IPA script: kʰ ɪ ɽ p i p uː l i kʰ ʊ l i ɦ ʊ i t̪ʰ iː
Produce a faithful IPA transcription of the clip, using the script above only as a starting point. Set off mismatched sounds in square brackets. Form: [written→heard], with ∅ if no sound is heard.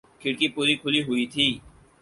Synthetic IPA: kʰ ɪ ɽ [p→k] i p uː [l→ɾ] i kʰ ʊ l i ɦ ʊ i t̪ʰ iː